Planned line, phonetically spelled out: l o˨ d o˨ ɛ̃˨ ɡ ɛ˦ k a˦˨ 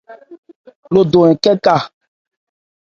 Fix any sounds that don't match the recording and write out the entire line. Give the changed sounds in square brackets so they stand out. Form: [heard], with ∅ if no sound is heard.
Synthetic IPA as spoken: l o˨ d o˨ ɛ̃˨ [k] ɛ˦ k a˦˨